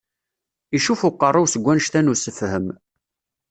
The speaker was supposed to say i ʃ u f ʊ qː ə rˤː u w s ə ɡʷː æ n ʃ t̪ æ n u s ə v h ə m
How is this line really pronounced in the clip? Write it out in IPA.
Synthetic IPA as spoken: i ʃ u f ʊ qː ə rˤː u w s ə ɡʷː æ n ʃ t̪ æ n u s ə f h ə m

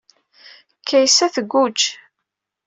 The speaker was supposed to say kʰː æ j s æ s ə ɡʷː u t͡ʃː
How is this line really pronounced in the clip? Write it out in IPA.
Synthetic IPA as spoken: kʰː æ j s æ θ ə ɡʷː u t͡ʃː

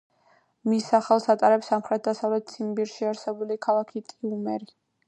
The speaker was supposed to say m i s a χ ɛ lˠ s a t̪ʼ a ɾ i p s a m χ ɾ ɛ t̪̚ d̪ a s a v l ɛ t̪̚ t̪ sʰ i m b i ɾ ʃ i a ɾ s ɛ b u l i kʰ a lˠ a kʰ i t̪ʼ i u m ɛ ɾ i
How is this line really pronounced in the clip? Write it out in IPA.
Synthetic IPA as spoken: m i s a χ ɛ lˠ s a t̪ʼ a ɾ ɛ p s a m χ ɾ ɛ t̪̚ d̪ a s a v l ɛ t̪̚ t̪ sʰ i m b i ɾ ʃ i a ɾ s ɛ b u l i kʰ a lˠ a kʰ i t̪ʼ i u m ɛ ɾ i

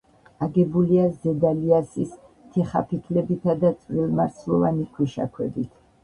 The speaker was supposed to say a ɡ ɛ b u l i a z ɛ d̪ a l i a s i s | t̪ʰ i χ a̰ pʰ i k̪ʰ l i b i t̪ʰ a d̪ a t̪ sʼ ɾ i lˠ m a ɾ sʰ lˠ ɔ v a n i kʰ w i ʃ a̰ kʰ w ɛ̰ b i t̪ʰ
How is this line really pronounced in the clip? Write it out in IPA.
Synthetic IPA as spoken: a ɡ ɛ b u l i a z ɛ d̪ a l i a s i s | t̪ʰ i χ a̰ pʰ i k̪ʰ l ɛ b i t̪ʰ a d̪ a t̪ sʼ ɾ i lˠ m a ɾ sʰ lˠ ɔ v a n i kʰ w i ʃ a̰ kʰ w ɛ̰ b i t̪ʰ

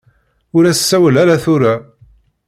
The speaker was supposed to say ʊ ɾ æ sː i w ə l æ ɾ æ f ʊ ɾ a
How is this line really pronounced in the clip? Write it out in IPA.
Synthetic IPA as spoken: ʊ ɾ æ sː æ w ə l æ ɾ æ θ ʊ ɾ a

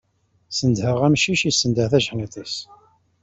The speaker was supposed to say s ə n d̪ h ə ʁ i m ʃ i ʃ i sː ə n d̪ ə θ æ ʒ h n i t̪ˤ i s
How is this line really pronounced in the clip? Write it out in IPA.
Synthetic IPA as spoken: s ə n d̪ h ə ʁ æ m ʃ i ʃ i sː ə n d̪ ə θ æ ʒ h n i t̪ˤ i s

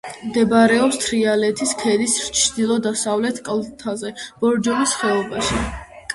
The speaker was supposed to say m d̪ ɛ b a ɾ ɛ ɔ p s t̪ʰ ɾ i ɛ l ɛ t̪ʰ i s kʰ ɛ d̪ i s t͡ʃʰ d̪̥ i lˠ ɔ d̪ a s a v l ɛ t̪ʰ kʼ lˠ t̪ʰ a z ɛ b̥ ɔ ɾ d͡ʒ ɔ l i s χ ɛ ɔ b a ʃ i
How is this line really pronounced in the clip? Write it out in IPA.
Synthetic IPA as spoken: m d̪ ɛ b a ɾ ɛ ɔ p s t̪ʰ ɾ i a l ɛ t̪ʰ i s kʰ ɛ d̪ i s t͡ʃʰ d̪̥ i lˠ ɔ d̪ a s a v l ɛ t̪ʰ kʼ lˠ t̪ʰ a z ɛ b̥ ɔ ɾ d͡ʒ ɔ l i s χ ɛ ɔ b a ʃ i

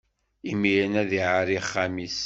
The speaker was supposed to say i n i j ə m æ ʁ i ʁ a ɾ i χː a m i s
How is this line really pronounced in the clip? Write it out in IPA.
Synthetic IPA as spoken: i m i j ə n æ ð i ʕ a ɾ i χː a m i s

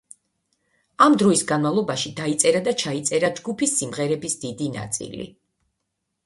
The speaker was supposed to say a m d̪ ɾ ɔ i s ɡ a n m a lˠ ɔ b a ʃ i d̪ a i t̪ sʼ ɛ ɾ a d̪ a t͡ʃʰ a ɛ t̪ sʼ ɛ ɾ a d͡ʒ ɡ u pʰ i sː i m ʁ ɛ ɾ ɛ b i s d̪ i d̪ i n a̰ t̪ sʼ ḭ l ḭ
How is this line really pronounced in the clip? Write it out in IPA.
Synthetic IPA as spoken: a m d̪ ɾ ɔ i s ɡ a n m a lˠ ɔ b a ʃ i d̪ a i t̪ sʼ ɛ ɾ a d̪ a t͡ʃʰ a i t̪ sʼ ɛ ɾ a d͡ʒ ɡ u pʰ i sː i m ʁ ɛ ɾ ɛ b i s d̪ i d̪ i n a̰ t̪ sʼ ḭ l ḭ

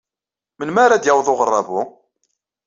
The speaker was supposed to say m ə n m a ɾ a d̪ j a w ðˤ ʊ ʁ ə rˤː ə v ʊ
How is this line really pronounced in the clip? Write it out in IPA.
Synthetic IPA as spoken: m ə n m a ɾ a d̪ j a w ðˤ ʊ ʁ ə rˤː ɑ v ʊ

